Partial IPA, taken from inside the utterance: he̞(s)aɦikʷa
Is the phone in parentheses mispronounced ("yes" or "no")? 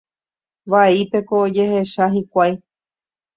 yes